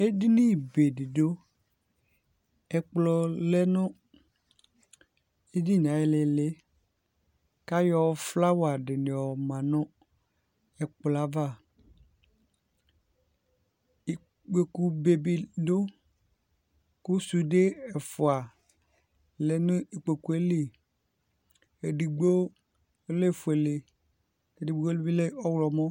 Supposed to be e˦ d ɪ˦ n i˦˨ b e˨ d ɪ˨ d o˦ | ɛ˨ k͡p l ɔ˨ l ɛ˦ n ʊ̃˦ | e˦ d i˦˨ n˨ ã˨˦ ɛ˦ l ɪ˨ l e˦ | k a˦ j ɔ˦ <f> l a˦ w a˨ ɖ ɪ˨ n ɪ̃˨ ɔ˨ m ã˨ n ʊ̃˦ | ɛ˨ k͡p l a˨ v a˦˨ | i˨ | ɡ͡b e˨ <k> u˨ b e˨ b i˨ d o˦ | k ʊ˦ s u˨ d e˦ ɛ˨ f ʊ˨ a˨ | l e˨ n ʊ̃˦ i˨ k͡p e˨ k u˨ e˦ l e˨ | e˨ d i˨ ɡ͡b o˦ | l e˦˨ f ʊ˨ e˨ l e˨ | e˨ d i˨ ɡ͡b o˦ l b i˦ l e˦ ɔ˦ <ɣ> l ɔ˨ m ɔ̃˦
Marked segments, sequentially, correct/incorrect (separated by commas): correct, correct, incorrect